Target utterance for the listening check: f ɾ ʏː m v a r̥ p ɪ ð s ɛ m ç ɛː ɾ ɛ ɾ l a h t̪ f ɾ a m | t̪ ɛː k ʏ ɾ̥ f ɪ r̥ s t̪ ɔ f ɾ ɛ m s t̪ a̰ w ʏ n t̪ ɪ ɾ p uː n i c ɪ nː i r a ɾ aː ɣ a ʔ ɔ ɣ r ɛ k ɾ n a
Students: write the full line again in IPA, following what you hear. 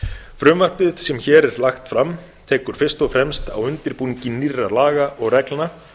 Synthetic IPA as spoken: f ɾ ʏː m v a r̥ p ɪ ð s ɛ m ç ɛː ɾ ɛ ɾ l a x t̪ f ɾ a m | t̪ʰ ɛː k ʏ ɾ̥ f ɪ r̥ s t̪ ɔ f ɾ ɛ m s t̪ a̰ w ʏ n t̪ ɪ ɾ p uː n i c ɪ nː i r a l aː ɣ a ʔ ɔ ɣ r ɛ k l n a